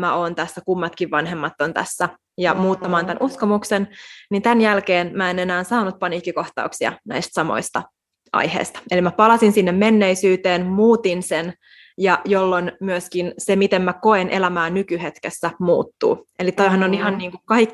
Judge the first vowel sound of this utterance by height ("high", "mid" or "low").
low